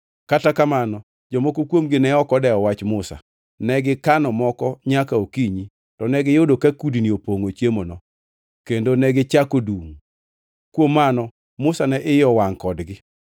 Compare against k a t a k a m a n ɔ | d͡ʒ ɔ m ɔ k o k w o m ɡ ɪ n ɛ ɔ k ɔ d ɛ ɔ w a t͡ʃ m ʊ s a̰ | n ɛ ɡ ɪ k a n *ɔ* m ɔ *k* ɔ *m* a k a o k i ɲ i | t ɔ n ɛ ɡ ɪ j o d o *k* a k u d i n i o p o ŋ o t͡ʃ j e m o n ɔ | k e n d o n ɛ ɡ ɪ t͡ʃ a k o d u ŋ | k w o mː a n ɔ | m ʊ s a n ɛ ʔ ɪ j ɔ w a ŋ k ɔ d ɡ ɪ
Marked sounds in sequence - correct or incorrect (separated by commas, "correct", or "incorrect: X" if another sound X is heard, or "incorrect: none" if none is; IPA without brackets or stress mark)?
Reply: correct, correct, incorrect: ɲ, correct